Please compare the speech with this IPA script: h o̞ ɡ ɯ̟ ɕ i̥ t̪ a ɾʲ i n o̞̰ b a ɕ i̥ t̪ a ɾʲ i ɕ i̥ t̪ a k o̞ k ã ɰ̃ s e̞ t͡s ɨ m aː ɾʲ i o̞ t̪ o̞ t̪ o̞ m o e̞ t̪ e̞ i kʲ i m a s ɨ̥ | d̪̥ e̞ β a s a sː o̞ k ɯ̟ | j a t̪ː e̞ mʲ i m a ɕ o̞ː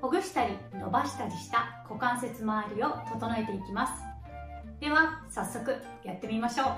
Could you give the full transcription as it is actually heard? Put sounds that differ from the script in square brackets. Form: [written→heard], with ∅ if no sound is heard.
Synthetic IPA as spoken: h o̞ ɡ ɯ̟ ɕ i̥ t̪ a ɾʲ i n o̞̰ b a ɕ i̥ t̪ a ɾʲ i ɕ i̥ t̪ a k o̞ k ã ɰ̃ s e̞ t͡s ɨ m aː ɾʲ i o̞ t̪ o̞ t̪ o̞ [m→n] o e̞ t̪ e̞ i kʲ i m a s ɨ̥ | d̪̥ e̞ β a s a sː o̞ k ɯ̟ | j a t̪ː e̞ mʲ i m a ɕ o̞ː